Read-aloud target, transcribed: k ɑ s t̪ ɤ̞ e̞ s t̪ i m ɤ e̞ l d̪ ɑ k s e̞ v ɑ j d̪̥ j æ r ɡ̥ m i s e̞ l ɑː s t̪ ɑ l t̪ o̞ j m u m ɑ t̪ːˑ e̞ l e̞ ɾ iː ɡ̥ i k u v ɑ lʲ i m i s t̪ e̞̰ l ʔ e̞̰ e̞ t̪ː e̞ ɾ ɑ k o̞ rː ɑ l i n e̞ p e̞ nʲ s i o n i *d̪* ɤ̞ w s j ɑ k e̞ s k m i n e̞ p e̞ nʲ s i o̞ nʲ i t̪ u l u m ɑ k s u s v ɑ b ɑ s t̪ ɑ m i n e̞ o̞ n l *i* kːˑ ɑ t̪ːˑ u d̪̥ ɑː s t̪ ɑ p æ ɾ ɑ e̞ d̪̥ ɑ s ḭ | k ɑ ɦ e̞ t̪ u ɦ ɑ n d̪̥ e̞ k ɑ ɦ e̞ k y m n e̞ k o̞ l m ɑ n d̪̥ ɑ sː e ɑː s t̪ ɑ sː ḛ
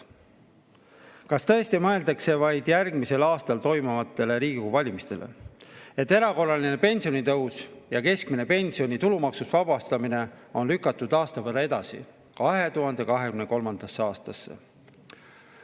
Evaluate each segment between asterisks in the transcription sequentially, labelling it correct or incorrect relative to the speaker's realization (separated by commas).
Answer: incorrect, incorrect